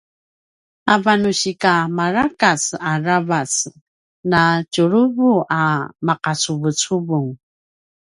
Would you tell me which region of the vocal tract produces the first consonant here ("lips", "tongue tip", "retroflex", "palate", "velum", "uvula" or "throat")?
lips